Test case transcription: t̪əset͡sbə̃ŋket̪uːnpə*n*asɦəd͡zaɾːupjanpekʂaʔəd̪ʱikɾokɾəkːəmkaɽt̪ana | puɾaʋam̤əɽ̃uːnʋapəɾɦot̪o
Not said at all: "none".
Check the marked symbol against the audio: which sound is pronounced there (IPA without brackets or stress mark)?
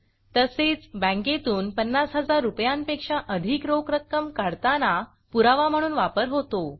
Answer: nː